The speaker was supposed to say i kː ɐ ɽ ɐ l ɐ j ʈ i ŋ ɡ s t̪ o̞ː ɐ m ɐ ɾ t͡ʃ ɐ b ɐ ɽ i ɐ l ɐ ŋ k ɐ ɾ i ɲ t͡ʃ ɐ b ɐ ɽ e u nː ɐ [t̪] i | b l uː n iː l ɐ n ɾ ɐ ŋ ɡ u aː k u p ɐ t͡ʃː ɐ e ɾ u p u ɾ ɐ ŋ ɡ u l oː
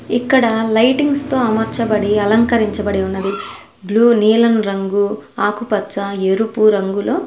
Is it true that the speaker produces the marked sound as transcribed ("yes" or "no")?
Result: no